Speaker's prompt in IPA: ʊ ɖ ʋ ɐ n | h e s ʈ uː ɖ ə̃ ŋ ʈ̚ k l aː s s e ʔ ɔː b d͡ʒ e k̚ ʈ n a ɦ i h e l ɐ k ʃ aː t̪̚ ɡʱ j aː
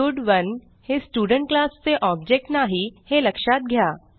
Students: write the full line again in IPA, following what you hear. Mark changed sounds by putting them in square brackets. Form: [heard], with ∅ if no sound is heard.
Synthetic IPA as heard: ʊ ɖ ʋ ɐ n | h e s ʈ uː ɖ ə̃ [ɳ] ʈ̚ k l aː s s e ʔ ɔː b d͡ʒ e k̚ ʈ n a ɦ i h e l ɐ k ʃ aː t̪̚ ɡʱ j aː